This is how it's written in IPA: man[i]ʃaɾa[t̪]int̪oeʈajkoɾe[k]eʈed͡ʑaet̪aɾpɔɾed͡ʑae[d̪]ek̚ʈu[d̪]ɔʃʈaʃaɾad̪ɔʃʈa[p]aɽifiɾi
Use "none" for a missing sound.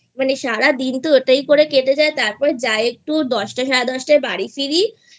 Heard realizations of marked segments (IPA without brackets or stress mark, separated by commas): e, d̪, k, none, d̪, b